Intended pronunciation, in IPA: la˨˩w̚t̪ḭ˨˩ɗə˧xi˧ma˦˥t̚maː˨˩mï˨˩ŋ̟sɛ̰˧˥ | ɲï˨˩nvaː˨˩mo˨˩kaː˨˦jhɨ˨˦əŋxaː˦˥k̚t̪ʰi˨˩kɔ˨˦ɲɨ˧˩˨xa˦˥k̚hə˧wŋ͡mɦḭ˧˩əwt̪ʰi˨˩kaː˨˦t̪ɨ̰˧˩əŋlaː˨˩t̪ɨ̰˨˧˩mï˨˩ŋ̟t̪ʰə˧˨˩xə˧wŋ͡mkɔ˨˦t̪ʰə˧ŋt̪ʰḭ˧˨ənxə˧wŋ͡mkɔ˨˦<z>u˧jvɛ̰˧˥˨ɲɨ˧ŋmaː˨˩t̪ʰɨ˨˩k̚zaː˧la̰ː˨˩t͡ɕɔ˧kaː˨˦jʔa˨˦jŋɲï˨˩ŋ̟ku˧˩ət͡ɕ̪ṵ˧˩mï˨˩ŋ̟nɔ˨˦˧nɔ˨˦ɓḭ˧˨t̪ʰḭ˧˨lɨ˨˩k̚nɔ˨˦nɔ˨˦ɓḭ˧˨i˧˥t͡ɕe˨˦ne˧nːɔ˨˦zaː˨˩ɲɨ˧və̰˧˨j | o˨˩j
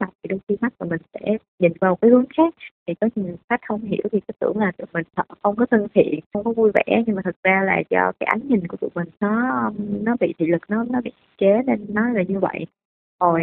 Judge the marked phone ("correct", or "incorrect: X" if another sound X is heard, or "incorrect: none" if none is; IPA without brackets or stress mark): incorrect: v